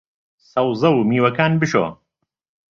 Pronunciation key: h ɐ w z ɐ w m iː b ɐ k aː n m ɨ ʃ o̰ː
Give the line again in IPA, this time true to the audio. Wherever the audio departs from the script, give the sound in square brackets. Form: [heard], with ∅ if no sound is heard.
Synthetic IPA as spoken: [s] ɐ w z ɐ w m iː [w] ɐ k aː n [b] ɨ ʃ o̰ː